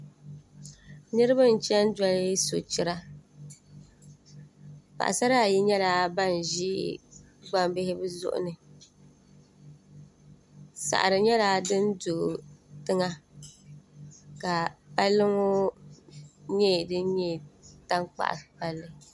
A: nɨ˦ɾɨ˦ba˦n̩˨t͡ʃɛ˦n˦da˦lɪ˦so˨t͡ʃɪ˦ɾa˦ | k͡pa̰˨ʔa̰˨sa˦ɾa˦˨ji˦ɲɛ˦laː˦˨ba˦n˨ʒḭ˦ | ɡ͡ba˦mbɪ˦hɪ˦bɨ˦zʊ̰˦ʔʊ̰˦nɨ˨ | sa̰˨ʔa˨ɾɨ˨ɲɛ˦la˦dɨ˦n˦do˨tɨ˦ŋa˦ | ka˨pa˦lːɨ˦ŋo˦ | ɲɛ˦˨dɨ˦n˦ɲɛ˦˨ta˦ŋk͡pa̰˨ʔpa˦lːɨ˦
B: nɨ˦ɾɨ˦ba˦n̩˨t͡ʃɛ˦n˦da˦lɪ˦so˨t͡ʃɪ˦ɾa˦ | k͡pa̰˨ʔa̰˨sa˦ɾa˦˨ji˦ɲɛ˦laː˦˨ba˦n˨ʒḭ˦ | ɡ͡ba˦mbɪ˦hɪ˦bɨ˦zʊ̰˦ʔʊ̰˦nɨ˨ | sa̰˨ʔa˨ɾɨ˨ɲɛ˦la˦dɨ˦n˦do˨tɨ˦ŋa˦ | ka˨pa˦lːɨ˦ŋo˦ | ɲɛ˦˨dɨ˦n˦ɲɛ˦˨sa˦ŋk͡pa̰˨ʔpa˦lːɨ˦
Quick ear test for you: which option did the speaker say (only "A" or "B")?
A